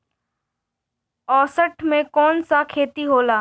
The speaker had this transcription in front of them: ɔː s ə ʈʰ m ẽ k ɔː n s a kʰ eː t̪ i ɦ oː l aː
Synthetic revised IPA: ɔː s ə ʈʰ m ẽ k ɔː n s a kʰ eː t̪ i ɦ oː l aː